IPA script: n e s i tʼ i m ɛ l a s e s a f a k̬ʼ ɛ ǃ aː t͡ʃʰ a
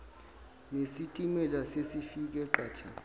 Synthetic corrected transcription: n e s i tʼ i m ɛ l a s e s i f i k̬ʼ ɛ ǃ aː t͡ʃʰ a